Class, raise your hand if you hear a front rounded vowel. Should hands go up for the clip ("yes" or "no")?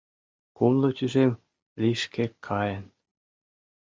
yes